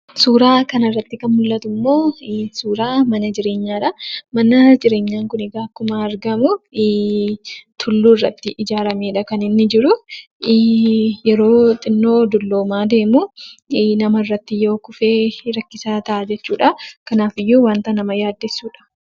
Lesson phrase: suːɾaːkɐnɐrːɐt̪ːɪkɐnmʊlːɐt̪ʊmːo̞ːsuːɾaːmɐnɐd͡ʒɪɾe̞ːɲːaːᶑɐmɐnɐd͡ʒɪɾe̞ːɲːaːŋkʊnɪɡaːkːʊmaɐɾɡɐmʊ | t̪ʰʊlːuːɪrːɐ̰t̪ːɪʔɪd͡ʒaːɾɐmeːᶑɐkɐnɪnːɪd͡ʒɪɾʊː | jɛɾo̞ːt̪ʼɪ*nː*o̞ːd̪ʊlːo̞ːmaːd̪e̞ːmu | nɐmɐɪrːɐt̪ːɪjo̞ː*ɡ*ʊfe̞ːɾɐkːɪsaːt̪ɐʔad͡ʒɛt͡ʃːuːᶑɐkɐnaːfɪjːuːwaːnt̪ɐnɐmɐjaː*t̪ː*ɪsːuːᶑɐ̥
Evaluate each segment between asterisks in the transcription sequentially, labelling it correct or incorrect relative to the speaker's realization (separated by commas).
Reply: correct, incorrect, incorrect